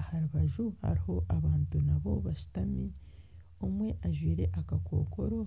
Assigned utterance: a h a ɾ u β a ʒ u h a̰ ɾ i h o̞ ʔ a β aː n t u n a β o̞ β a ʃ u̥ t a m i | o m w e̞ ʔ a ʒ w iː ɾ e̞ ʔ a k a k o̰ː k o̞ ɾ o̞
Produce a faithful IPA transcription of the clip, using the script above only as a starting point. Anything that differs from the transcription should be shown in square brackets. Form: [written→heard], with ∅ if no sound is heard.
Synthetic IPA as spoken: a h a ɾ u β a ʒ u h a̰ ɾ i h o̞ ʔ a β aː n t u n a β o̞ β a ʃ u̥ t a m i | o m w e̞ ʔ a ʒ w iː ɾ e̞ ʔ a k a k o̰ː k o̞ ɾ o̞